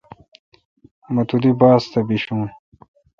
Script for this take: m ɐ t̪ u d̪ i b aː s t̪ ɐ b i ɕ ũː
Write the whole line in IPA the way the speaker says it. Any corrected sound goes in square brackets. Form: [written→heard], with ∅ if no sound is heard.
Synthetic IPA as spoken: m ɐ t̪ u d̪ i b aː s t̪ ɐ b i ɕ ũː

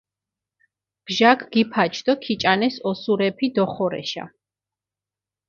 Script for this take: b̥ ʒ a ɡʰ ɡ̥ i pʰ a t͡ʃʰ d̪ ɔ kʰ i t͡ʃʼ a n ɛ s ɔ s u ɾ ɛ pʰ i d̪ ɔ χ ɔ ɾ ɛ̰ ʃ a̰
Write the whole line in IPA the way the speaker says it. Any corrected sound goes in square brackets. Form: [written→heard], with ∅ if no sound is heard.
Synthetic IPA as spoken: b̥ ʒ a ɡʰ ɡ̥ i pʰ a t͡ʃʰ d̪ ɔ kʰ i t͡ʃʼ a n ɛ s ɔ s u ɾ ɛ pʰ i d̪ ɔ χ ɔ ɾ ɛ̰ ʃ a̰

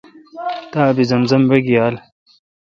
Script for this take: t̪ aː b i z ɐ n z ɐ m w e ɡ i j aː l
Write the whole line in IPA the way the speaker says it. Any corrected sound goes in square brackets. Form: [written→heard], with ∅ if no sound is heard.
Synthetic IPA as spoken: t̪ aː b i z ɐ n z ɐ m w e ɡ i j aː l

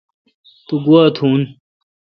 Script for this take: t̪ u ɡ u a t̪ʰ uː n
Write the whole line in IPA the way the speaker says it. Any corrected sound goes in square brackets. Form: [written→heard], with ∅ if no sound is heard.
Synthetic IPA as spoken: t̪ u ɡ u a t̪ʰ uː n

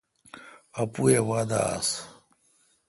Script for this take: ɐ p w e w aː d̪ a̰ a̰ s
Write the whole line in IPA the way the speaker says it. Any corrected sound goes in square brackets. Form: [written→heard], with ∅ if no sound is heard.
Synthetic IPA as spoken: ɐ p [w→u] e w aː d̪ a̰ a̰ s

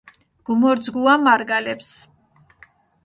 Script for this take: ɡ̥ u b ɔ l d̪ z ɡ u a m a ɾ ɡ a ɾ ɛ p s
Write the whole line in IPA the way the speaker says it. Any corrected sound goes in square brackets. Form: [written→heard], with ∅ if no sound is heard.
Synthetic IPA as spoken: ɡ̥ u [b→m] ɔ [l→ɾ] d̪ z ɡ u a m a ɾ ɡ a [ɾ→l] ɛ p s

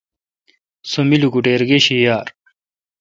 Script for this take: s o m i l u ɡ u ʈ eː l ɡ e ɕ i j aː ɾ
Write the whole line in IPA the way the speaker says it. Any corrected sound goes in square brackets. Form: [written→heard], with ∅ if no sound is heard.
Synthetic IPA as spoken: s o m i l u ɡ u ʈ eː [l→ɾ] ɡ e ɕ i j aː ɾ

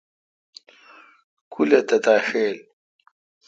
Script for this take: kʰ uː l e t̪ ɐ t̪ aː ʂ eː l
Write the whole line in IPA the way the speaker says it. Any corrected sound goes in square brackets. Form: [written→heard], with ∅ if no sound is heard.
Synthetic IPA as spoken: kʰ [uː→u] l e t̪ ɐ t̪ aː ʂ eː l

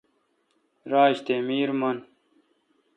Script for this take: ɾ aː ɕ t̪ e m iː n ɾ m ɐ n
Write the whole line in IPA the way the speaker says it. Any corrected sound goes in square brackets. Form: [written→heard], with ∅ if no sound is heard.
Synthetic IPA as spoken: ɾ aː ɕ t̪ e m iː [n→∅] ɾ m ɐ n

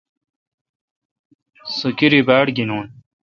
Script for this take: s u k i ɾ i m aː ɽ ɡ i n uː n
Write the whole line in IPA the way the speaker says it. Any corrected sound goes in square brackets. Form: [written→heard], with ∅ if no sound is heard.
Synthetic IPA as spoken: s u k i ɾ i [m→b] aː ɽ ɡ i n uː n

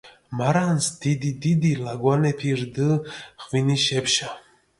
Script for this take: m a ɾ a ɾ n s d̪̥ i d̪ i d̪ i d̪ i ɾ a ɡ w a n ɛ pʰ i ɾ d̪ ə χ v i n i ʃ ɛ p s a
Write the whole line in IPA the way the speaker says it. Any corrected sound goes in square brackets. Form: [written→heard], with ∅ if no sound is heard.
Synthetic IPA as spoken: m a ɾ a [ɾ→∅] n s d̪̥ i d̪ i d̪ i d̪ i [ɾ→l] a ɡ w a n ɛ pʰ i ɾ d̪ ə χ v i n i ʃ ɛ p [s→ʃ] a

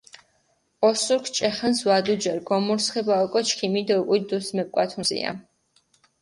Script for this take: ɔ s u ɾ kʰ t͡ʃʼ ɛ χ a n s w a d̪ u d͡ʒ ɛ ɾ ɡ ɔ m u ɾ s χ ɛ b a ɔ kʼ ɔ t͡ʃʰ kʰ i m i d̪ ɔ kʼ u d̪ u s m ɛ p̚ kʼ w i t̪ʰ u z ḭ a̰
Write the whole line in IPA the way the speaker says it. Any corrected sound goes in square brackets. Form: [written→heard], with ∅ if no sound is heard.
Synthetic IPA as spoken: ɔ s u ɾ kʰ t͡ʃʼ ɛ χ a n s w a d̪ u d͡ʒ ɛ ɾ ɡ ɔ m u ɾ s χ ɛ b a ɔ kʼ ɔ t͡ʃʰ kʰ i m i d̪ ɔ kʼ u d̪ u s m ɛ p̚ kʼ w [i→a] t̪ʰ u z ḭ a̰

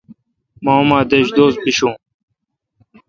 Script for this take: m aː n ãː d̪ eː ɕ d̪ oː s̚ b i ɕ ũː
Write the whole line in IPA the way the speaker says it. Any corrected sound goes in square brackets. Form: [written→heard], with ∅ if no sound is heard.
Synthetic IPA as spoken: m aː [n→m] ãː d̪ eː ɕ d̪ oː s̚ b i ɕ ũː

